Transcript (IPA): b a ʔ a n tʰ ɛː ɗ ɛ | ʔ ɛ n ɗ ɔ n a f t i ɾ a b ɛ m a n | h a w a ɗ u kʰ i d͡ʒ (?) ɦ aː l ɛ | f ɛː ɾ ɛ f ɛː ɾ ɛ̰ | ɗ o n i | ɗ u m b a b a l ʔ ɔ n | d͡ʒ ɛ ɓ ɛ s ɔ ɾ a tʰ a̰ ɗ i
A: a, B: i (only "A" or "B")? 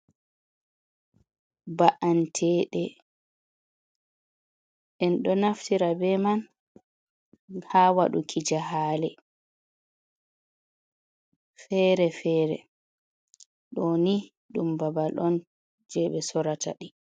A